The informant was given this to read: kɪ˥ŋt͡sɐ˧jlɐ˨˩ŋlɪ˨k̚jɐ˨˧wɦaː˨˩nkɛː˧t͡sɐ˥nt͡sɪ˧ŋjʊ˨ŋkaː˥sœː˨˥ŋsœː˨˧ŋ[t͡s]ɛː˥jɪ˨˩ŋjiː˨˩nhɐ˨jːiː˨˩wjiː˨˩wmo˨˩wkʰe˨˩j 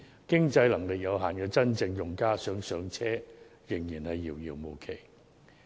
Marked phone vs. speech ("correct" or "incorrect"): incorrect